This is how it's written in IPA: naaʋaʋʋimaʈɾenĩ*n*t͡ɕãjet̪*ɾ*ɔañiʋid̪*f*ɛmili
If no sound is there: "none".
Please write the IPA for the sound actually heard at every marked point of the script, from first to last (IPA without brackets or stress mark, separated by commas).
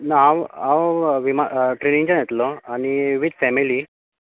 ŋ, l, f